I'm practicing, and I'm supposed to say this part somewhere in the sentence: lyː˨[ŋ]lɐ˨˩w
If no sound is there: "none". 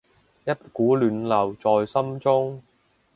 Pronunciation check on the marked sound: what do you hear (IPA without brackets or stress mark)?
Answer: n